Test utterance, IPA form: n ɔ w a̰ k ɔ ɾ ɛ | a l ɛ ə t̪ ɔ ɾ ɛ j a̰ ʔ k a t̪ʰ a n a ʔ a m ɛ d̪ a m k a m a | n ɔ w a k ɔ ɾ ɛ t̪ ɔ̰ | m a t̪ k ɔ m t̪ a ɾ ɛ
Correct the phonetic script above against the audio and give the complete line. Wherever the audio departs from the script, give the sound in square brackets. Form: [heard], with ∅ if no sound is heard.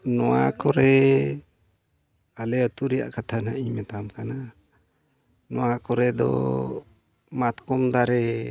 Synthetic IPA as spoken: n ɔ w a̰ k ɔ ɾ ɛ | a l ɛ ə t̪ [u] ɾ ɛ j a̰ ʔ k a t̪ʰ a n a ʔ [i] m ɛ [t̪] a m k a [n] a | n ɔ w a k ɔ ɾ ɛ [d̪] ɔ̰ | m a t̪ k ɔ m [d̪] a ɾ ɛ

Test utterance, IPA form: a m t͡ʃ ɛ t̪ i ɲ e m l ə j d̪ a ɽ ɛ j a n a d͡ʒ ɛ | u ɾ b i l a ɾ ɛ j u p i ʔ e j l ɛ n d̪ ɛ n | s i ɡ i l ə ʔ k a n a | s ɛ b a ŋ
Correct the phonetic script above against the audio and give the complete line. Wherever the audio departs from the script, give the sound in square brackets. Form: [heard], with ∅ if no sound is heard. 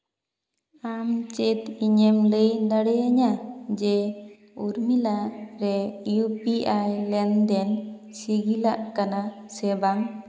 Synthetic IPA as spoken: a m t͡ʃ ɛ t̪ i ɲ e m l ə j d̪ a ɽ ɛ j a [ɲ] a d͡ʒ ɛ | u ɾ [m] i l a ɾ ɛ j u p i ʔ [a] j l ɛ n d̪ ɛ n | s i ɡ i l [a] ʔ k a n a | s ɛ b a ŋ

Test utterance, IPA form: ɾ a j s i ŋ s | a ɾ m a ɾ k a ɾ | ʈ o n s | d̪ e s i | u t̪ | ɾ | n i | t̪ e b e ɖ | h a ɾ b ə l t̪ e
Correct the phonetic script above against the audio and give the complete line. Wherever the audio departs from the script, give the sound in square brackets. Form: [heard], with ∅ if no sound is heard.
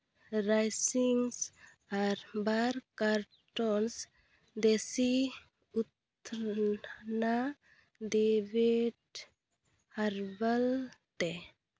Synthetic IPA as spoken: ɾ a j s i ŋ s | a ɾ [b] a ɾ k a ɾ | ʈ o n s | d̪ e s i | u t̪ | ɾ | n [a] | [d̪] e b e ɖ | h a ɾ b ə l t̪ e

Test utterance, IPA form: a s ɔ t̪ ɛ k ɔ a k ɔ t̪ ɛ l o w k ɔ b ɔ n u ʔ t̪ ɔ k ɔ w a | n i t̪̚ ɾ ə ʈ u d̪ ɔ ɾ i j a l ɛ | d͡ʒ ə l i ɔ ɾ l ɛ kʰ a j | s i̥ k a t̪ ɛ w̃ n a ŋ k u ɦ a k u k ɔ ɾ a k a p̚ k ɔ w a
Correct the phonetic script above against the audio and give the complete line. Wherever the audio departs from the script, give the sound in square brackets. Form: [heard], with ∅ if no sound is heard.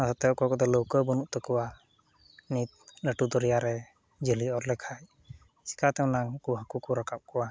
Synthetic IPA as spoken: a s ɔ t̪ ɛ k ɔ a k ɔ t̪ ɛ l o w k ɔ b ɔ n u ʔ t̪ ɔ k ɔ w a | n i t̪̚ [l] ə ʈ u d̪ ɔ ɾ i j a [ɾ] ɛ | d͡ʒ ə l i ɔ ɾ l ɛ kʰ a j | s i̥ k a t̪ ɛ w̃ n a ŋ k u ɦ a k u k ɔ ɾ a k a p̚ k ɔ w a

